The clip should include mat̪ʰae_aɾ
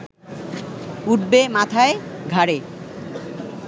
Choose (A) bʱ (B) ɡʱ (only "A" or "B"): B